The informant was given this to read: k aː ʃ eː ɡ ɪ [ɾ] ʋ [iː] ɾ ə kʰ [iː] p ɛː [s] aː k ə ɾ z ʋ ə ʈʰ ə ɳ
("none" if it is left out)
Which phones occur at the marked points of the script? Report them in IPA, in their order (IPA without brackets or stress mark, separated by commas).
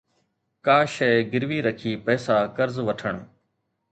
ɾ, iː, iː, s